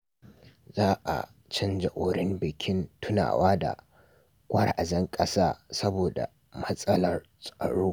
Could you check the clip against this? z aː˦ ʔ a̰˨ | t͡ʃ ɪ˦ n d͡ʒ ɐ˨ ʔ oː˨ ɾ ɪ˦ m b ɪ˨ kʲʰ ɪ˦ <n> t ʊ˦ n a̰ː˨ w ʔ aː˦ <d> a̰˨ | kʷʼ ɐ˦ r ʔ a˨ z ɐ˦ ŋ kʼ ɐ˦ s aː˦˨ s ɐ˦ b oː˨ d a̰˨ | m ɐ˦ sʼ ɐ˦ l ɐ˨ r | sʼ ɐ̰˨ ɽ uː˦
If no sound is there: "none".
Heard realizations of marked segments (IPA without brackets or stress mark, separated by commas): n, d